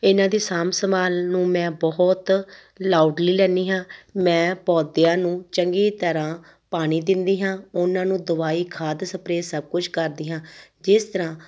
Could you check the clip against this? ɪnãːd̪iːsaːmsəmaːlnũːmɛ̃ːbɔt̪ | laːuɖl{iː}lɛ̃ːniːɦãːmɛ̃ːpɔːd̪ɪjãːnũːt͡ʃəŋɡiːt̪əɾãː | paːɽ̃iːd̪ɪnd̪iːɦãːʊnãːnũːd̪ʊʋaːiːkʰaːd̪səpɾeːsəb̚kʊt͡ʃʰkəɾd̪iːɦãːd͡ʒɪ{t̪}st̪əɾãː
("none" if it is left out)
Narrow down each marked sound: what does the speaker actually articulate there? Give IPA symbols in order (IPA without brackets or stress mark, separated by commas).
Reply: iː, none